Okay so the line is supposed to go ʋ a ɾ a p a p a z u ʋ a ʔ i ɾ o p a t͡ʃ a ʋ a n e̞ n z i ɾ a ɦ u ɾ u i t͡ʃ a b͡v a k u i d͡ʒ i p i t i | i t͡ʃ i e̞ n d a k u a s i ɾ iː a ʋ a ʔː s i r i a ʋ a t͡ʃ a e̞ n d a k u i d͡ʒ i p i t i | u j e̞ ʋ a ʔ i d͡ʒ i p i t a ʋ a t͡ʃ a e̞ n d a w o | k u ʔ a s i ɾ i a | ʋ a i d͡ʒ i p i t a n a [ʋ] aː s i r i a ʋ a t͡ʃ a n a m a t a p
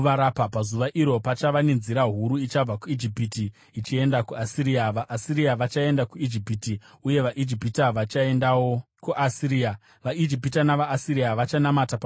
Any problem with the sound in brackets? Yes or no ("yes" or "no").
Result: no